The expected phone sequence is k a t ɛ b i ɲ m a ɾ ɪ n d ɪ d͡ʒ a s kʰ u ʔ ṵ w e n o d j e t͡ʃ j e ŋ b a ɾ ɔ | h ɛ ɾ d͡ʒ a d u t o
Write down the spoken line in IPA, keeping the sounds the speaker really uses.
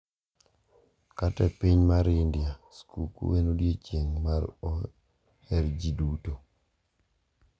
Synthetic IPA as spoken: k a t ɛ p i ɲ m a ɾ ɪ n d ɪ a s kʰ u k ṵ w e n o d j e t͡ʃ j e ŋ m a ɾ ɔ | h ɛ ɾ d͡ʒ i d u t o

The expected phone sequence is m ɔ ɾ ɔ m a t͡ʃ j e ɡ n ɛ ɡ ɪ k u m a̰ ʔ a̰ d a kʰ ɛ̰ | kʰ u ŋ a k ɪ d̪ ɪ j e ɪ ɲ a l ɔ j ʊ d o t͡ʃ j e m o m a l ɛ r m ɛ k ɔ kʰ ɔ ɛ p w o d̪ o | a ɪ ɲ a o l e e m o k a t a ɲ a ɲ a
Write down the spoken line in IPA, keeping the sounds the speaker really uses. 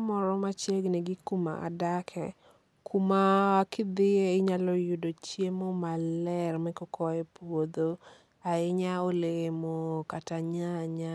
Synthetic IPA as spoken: m ɔ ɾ ɔ m a t͡ʃ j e ɡ n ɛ ɡ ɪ k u m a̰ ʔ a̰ d a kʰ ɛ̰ | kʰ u m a k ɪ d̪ ɪ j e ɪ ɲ a l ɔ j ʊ d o t͡ʃ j e m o m a l ɛ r m ɛ k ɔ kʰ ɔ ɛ p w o d̪ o | a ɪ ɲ a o l e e m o k a t a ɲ a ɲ a

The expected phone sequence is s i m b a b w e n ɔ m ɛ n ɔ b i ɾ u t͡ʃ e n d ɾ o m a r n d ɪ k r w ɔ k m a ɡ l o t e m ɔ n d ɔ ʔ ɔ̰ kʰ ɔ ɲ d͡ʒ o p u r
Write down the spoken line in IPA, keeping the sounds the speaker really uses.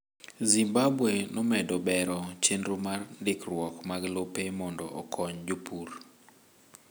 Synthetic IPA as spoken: z i m b a b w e n ɔ m ɛ d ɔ b ɛ ɾ ɔ t͡ʃ e n d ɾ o m a r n d ɪ k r w ɔ k m a ɡ l o p e m ɔ n d ɔ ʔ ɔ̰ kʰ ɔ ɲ d͡ʒ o p u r

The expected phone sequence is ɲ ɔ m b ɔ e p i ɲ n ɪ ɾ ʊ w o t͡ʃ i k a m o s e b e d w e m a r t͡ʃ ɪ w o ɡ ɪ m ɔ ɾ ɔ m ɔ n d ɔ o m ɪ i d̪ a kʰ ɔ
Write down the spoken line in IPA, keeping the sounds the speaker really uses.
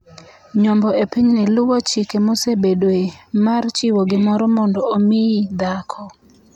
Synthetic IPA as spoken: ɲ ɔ m b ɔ e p i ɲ n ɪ l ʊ w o t͡ʃ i k e m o s e b e d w e m a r t͡ʃ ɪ w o ɡ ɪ m ɔ ɾ ɔ m ɔ n d ɔ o m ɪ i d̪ a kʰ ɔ

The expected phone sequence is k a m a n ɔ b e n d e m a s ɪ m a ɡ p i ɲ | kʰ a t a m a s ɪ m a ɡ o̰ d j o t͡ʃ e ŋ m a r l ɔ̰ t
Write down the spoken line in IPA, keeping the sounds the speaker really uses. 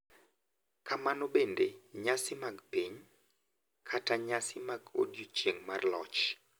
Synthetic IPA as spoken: k a m a n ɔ b e n d e ɲ a s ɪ m a ɡ p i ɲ | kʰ a t a ɲ a s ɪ m a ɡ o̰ d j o t͡ʃ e ŋ m a r l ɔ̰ t͡ʃ

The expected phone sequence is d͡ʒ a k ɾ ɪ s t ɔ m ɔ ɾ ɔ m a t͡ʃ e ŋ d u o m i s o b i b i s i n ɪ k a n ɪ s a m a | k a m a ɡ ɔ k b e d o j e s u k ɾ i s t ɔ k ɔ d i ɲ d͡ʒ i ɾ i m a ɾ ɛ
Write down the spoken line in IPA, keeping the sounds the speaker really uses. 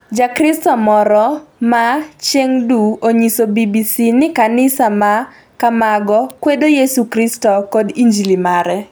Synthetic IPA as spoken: d͡ʒ a k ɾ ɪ s t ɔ m ɔ ɾ ɔ m a t͡ʃ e ŋ d u o ɲ i s o b i b i s i n ɪ k a n ɪ s a m a | k a m a ɡ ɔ k w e d o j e s u k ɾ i s t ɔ k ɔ d i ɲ d͡ʒ i l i m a ɾ ɛ

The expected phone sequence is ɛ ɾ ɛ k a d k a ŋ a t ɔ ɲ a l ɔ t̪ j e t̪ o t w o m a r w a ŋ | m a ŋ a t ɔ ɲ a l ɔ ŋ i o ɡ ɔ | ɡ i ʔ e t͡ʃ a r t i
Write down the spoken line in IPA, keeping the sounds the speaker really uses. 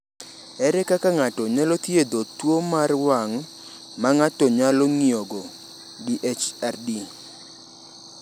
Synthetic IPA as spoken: ɛ ɾ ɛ k a k a ŋ a t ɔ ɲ a l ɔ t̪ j e d̪ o t w o m a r w a ŋ | m a ŋ a t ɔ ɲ a l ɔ ŋ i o ɡ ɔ | ɡ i ʔ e t͡ʃ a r d i

